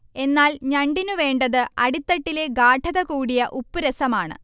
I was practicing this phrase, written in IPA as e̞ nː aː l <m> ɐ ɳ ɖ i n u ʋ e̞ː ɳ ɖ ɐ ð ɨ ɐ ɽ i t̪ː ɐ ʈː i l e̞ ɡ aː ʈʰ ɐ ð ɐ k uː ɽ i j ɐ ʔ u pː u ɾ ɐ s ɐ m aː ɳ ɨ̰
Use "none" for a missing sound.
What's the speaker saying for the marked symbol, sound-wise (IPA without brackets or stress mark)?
ɲ